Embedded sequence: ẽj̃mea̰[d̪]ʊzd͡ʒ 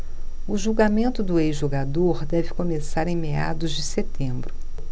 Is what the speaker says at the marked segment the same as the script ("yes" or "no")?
yes